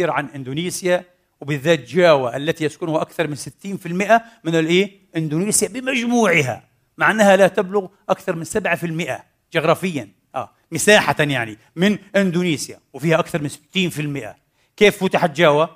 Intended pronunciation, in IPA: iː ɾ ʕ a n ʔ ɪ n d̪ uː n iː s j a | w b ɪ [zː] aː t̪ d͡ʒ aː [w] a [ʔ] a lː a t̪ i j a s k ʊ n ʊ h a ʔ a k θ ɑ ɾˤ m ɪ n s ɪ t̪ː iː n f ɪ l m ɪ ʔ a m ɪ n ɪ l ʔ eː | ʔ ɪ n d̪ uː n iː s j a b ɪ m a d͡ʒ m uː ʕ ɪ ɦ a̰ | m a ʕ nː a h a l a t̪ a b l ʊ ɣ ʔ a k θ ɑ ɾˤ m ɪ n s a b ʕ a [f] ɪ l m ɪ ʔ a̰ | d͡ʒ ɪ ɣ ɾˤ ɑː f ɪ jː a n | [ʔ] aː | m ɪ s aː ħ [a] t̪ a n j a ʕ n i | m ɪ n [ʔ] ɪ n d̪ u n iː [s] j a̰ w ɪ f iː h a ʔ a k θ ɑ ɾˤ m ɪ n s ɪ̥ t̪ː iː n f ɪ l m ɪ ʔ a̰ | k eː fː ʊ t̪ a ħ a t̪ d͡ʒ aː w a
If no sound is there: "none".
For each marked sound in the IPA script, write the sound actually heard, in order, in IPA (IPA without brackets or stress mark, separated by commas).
ðː, w, ʔ, f, ʔ, a, ʔ, s